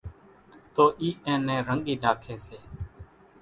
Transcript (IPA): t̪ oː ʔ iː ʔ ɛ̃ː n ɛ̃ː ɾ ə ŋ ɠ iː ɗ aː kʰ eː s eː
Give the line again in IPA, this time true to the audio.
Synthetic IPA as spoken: t̪ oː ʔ iː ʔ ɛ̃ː n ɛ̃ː ɾ ə ŋ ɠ iː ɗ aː kʰ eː s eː